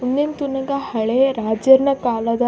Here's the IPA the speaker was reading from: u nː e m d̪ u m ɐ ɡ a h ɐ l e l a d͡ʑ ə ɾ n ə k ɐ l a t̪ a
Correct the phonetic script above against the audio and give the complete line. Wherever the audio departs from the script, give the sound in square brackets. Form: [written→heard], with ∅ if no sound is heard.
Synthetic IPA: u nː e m [d̪→t̪] u [m→n] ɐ ɡ a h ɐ [l→ɭ] e [l→ɾ] a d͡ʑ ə ɾ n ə k [ɐ→a] l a [t̪→d̪] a